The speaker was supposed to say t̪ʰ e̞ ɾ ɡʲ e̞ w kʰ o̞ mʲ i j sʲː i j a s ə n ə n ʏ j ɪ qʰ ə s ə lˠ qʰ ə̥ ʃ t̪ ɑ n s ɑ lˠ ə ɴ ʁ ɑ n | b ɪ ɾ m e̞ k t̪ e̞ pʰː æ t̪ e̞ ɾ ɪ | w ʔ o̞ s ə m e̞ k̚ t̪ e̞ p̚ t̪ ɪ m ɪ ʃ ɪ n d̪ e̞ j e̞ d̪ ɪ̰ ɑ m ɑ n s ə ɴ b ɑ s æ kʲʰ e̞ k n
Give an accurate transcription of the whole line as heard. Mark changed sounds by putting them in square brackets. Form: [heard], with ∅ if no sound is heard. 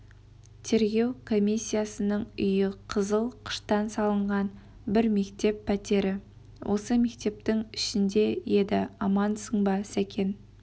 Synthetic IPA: t̪ʰ e̞ ɾ ɡʲ e̞ w kʰ o̞ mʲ i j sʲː i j a s ə n ə [ɴ] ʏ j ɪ qʰ ə [z] ə lˠ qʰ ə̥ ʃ t̪ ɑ n s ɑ lˠ ə ɴ ʁ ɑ n | b ɪ ɾ m e̞ k t̪ e̞ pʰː æ t̪ e̞ ɾ ɪ | w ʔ o̞ s ə m e̞ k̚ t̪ e̞ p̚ t̪ ɪ [ŋ] ɪ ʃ ɪ n d̪ e̞ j e̞ d̪ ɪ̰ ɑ m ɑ n s ə ɴ b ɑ s æ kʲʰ e̞ [∅] n